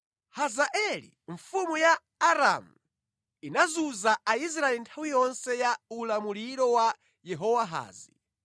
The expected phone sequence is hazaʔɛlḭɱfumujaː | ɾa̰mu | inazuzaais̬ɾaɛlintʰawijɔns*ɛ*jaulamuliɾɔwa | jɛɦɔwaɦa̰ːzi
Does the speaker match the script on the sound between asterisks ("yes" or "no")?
yes